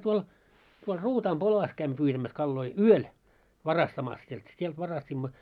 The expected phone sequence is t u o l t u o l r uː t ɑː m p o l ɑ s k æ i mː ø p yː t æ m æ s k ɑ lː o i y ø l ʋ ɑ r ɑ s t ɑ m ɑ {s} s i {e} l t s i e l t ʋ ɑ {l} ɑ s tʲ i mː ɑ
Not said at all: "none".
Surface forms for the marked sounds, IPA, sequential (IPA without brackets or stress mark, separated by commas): s, e, r